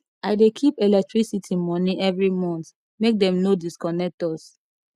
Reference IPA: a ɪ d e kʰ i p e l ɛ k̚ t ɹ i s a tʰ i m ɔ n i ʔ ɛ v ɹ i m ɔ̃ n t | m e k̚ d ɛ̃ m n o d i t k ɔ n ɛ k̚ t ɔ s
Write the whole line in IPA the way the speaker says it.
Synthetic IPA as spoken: a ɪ d e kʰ i p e l ɛ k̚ t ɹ i s i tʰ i m ɔ n i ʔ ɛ v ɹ i m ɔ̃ n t | m e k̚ d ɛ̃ m n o d i s k ɔ n ɛ k̚ t ɔ s